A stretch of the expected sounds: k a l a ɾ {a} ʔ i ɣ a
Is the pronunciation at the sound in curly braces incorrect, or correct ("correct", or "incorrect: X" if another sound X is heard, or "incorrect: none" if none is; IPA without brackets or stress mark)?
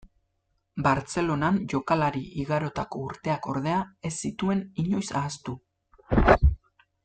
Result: incorrect: i